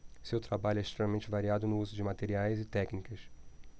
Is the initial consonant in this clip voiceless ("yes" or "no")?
yes